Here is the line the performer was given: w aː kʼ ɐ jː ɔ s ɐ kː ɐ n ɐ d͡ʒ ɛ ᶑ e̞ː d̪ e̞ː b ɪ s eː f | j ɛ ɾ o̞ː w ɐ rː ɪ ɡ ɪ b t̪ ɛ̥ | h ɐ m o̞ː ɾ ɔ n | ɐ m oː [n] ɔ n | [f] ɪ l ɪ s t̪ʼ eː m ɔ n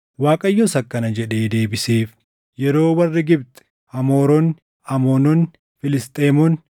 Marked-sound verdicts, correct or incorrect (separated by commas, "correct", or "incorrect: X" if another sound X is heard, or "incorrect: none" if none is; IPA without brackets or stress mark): correct, correct